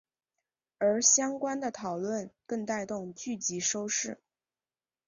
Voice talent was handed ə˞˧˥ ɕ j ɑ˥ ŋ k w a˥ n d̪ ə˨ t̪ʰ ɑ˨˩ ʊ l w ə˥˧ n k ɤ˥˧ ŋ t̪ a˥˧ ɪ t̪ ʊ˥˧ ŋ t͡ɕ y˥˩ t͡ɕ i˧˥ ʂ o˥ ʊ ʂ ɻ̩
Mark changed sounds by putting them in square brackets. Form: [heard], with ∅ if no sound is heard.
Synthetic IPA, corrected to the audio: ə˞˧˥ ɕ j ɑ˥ ŋ k w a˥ n d̪ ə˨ t̪ʰ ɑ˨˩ ʊ l w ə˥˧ n k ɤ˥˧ ŋ t̪ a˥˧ ɪ t̪ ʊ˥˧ ŋ t͡ɕ y˥˩ t͡ɕ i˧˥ ʂ o˥ ʊ ʂ ɻ̩